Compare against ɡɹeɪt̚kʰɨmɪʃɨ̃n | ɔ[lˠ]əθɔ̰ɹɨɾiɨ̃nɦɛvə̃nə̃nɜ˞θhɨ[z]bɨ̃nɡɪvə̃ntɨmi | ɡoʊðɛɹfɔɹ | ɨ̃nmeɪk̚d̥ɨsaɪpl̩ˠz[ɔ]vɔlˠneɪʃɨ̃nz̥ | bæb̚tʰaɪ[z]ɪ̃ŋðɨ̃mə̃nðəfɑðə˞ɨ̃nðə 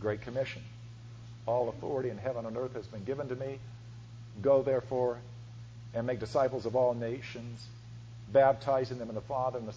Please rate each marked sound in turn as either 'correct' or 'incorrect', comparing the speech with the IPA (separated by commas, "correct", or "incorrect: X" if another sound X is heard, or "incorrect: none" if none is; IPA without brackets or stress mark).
correct, correct, incorrect: ʌ, correct